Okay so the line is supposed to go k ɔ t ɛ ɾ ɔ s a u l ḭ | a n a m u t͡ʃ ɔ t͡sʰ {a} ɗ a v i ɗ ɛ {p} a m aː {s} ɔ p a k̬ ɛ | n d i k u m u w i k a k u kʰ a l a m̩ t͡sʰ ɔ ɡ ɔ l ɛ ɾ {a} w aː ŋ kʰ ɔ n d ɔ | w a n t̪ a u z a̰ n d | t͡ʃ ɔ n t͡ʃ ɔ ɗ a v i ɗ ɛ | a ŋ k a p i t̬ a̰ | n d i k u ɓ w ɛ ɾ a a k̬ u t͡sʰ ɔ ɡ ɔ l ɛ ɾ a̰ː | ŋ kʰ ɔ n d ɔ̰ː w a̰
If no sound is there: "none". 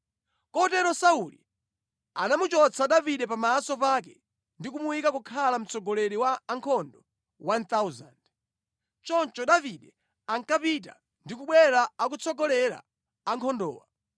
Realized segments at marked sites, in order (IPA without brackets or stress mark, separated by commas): a, p, s, i